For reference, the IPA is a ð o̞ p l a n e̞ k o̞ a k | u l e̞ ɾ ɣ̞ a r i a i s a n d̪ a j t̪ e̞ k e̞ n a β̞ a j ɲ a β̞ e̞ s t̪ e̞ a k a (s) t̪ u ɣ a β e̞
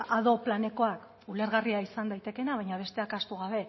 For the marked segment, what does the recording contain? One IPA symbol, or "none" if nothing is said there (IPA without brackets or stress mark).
s